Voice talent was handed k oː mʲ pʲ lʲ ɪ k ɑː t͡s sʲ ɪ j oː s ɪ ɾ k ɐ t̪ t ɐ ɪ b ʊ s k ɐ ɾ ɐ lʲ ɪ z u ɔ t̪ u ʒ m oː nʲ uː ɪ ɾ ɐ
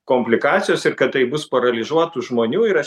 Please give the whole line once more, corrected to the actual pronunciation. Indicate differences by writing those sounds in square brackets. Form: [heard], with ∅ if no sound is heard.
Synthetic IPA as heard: k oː mʲ pʲ lʲ ɪ k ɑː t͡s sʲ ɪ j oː s ɪ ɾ k ɐ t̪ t ɐ ɪ b ʊ s [p] ɐ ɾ ɐ lʲ ɪ z u ɔ t̪ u ʒ m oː nʲ uː ɪ ɾ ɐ